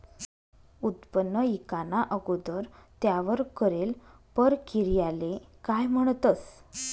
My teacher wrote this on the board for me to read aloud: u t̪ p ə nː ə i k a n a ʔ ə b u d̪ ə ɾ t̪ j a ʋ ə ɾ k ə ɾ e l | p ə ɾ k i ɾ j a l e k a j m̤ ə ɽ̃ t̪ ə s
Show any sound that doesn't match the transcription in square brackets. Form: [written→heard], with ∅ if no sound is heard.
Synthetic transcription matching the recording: u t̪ p ə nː ə i k a n a ʔ ə [b→ɡ] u d̪ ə ɾ t̪ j a ʋ ə ɾ k ə ɾ e l | p ə ɾ k i ɾ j a l e k a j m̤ ə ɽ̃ t̪ ə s